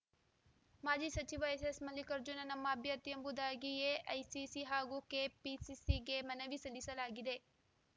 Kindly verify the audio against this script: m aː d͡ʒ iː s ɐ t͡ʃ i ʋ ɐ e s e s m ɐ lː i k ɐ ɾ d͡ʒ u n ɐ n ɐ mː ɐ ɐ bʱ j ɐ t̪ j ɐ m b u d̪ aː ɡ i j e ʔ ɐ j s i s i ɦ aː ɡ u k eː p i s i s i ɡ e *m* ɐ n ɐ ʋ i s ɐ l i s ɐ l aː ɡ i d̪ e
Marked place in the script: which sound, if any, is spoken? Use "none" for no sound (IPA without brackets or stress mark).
m